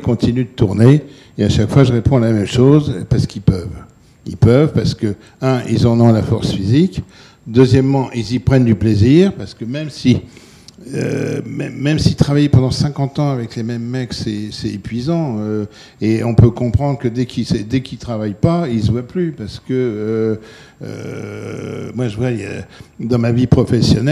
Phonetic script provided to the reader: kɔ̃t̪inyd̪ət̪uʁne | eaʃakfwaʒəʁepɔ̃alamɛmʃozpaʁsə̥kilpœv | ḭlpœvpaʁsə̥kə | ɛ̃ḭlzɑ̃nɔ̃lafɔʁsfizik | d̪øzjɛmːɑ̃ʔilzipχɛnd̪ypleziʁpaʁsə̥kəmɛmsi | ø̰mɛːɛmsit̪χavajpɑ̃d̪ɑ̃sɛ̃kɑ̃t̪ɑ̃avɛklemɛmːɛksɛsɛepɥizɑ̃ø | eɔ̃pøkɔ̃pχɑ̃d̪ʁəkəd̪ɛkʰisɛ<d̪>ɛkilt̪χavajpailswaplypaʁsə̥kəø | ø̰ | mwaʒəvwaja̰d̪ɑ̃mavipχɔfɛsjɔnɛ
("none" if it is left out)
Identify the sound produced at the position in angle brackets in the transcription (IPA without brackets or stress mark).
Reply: d̪